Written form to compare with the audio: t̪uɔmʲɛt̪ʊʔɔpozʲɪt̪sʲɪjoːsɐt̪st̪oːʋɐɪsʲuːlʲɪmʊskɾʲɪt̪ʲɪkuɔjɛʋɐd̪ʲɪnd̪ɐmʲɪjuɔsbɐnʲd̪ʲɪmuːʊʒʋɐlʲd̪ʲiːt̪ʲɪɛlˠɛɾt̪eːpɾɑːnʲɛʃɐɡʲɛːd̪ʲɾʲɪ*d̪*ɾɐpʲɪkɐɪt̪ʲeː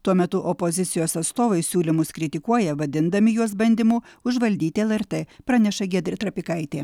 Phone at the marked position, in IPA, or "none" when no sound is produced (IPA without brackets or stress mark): t̪